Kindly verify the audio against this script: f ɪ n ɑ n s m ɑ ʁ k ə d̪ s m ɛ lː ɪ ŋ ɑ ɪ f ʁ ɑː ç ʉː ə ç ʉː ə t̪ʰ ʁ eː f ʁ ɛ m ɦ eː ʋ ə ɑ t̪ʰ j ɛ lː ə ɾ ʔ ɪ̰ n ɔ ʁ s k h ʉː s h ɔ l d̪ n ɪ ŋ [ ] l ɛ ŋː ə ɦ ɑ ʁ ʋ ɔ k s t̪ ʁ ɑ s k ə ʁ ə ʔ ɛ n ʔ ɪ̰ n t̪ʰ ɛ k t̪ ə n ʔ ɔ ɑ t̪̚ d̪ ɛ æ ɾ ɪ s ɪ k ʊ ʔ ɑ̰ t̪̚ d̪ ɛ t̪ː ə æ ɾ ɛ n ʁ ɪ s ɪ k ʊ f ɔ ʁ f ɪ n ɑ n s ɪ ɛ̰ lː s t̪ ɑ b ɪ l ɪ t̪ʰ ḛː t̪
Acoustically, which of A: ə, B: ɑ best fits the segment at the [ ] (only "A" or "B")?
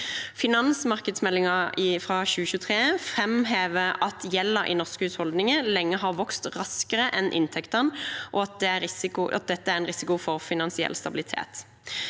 A